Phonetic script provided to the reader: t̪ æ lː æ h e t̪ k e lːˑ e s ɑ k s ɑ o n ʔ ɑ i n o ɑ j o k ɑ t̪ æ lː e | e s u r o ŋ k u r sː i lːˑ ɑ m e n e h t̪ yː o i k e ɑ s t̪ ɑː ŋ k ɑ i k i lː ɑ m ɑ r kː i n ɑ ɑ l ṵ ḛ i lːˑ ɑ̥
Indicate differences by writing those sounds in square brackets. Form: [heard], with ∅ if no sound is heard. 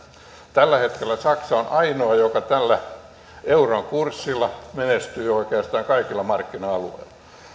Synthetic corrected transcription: t̪ æ lː æ h e t̪ k e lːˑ [æ] s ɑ k s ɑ o n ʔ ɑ i n o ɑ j o k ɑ t̪ æ lː [æ] | e [∅] u r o ŋ k u r sː i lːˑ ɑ m e n e [s] t̪ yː o i k e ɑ s t̪ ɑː ŋ k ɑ i k i lː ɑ m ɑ r kː i n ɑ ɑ l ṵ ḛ i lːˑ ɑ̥